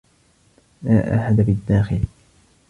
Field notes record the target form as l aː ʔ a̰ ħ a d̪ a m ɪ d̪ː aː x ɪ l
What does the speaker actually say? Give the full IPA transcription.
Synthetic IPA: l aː ʔ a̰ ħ a d̪ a b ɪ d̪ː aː x ɪ l